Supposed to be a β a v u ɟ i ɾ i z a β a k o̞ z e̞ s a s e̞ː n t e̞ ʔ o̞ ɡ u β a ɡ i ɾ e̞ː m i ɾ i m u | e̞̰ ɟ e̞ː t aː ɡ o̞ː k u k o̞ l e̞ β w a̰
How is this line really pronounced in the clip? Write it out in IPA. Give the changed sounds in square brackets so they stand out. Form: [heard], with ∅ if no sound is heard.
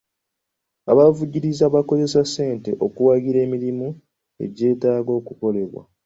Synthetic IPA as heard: a β a v u ɟ i ɾ i z a β a k o̞ z e̞ s a s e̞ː n t e̞ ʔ o̞ [k] u [w] a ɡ i ɾ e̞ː m i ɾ i m u | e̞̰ ɟ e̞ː t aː ɡ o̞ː k u k o̞ l e̞ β w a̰